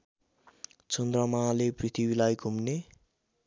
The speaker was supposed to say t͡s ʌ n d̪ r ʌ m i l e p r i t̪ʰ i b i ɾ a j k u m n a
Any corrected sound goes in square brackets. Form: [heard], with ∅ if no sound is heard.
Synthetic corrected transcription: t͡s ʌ n d̪ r ʌ m [a] l e p r i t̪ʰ i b i [l] a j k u m n [e]